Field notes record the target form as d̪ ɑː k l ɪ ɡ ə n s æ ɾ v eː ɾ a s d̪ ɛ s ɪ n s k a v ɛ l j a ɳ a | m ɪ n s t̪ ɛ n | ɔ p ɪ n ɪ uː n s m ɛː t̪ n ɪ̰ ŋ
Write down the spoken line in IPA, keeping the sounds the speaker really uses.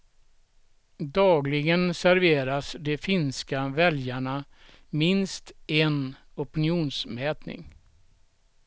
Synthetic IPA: d̪ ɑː ɡ l ɪ ɡ ə n s æ ɾ v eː ɾ a s d̪ ɛ f ɪ n s k a v ɛ l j a ɳ a | m ɪ n s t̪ ɛ n | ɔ p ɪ n ɪ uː n s m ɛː t̪ n ɪ̰ ŋ